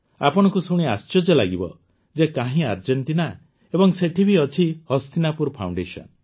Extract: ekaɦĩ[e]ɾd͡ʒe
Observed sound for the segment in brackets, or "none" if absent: a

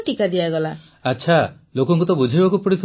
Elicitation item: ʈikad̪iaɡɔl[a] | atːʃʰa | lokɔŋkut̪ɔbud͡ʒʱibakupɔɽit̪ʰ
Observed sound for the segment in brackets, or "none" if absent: a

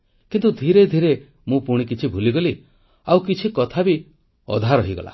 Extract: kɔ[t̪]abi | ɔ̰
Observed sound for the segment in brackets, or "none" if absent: t̪ʰ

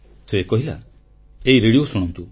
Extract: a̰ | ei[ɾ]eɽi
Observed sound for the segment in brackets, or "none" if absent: ɾ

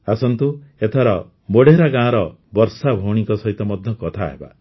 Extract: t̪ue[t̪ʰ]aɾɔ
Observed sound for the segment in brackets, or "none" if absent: t̪ʰ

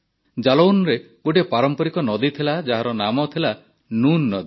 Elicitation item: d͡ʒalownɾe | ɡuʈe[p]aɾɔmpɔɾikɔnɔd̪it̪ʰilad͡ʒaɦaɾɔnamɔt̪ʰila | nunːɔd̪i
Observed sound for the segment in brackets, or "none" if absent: p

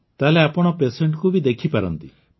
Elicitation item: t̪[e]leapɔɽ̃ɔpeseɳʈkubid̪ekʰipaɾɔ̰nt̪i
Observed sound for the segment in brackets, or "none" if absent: a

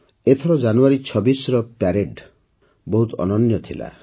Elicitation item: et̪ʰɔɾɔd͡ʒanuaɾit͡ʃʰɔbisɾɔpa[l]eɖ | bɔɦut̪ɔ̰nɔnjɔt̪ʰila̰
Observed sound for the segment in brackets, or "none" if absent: ɾ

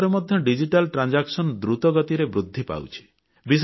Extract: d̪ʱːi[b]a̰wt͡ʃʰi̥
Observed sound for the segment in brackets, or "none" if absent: p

